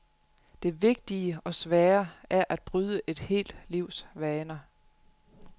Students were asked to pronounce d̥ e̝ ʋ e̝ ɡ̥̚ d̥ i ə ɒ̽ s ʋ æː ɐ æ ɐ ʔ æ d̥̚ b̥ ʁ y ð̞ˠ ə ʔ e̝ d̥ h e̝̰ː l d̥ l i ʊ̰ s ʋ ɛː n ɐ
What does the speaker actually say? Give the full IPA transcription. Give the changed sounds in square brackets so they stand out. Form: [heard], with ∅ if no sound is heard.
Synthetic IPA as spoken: d̥ e̝ ʋ e̝ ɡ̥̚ d̥ i ə ɒ̽ s ʋ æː ɐ æ ɐ ʔ æ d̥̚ b̥ ʁ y ð̞ˠ ə ʔ e̝ d̥ h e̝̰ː l d̥ l i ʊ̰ s ʋ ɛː n ɐ